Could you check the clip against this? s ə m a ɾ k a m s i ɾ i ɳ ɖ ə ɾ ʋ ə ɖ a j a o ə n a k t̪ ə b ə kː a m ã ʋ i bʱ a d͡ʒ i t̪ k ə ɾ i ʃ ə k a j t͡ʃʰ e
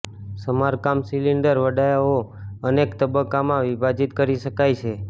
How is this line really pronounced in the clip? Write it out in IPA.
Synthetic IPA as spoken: s ə m a ɾ k a m s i l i ɳ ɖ ə ɾ ʋ ə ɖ a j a o ə n e k t̪ ə b ə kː a m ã ʋ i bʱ a d͡ʒ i t̪ k ə ɾ i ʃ ə k a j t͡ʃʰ e